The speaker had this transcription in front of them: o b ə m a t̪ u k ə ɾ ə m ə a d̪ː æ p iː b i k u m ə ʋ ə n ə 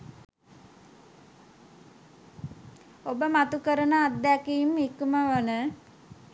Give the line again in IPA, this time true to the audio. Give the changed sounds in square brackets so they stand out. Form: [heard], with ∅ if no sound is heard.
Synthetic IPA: o b ə m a t̪ u k ə ɾ ə [n] ə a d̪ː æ [k] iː [m] i k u m ə ʋ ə n ə